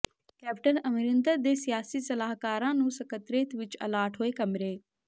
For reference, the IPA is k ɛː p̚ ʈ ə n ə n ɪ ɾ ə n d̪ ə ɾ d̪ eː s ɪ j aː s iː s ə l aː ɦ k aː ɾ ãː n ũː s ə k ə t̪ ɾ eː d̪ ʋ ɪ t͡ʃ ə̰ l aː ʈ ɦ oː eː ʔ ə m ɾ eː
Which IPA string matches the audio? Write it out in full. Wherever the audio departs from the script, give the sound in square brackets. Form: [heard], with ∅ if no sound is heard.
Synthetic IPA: k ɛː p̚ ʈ ə n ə [m] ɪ ɾ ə n d̪ ə ɾ d̪ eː s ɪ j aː s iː s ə l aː ɦ k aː ɾ ãː n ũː s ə k ə t̪ ɾ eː [t̪] ʋ ɪ t͡ʃ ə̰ l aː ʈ ɦ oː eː [k] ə m ɾ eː